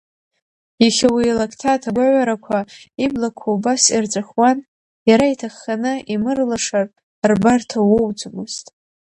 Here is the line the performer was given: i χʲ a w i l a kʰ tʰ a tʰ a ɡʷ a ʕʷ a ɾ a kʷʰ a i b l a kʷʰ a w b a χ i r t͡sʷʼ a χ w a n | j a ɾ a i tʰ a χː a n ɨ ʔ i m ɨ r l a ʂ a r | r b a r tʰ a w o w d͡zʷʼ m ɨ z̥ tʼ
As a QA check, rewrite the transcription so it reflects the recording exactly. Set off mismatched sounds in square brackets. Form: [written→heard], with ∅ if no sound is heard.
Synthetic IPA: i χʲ a w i l a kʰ tʰ a tʰ a ɡʷ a ʕʷ a ɾ a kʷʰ a i b l a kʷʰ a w b a [χ→s] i r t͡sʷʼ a χ w a n | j a ɾ a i tʰ a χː a n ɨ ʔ i m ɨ r l a ʂ a r | r b a r tʰ a w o w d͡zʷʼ m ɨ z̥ tʼ